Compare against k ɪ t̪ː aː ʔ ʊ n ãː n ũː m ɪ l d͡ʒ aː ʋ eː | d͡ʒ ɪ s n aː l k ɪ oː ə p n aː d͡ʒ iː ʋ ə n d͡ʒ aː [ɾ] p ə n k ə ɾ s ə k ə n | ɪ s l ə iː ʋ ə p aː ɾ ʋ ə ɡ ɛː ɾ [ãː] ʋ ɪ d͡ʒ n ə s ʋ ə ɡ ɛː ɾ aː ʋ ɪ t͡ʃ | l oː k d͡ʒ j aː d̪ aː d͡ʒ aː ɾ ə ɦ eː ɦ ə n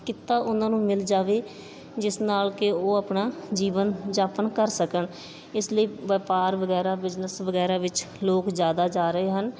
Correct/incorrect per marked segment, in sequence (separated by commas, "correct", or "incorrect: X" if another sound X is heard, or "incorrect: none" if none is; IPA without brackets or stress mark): incorrect: none, incorrect: aː